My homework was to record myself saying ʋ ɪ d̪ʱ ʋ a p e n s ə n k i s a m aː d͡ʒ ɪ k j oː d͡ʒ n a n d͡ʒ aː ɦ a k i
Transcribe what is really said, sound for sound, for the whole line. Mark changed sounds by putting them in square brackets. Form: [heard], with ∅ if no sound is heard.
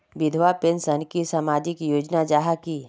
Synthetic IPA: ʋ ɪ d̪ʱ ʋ a p e n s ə n k i s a m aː d͡ʒ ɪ k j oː d͡ʒ n a [∅] d͡ʒ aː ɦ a k i